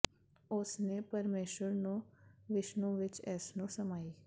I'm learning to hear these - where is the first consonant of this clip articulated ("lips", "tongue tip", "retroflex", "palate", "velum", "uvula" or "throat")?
tongue tip